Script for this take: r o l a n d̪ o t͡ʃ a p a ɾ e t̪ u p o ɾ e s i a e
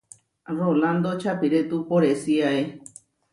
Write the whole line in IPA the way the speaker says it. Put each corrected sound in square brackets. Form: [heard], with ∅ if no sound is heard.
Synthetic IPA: r o l a n d̪ o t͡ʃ a p [i] ɾ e t̪ u p o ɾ e s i a e